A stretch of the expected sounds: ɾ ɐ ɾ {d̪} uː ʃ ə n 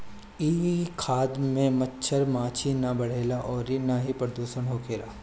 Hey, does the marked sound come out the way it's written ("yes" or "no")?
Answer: yes